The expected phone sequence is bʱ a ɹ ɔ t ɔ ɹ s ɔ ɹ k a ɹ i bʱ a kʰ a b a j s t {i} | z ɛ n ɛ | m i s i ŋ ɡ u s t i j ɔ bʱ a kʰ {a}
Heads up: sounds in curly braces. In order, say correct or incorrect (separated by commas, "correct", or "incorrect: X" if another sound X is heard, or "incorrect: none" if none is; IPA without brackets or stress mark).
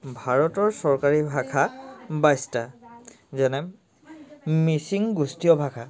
incorrect: a, correct